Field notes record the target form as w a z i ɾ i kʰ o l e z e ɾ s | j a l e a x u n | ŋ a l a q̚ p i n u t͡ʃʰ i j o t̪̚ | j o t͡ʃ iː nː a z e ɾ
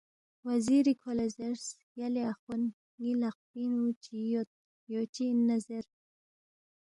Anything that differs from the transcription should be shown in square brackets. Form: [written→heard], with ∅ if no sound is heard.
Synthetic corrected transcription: w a z i ɾ i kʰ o l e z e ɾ s | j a l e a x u n | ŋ [a→i] l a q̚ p i n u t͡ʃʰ i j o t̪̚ | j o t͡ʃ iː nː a z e ɾ